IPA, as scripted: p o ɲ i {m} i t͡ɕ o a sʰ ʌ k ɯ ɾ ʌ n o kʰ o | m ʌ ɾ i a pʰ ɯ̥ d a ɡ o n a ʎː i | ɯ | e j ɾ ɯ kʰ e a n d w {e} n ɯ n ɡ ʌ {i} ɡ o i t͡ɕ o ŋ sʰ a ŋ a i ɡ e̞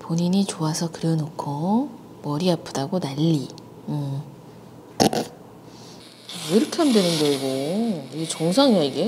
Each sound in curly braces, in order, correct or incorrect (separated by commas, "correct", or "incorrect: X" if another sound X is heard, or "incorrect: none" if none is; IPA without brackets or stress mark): incorrect: ɲ, correct, correct